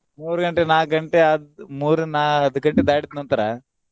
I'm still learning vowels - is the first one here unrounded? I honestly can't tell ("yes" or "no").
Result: no